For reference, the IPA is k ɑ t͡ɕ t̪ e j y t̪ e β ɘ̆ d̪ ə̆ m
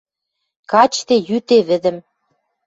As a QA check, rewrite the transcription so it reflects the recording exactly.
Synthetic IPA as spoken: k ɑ t͡ɕ t̪ e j y t̪ e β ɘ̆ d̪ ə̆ m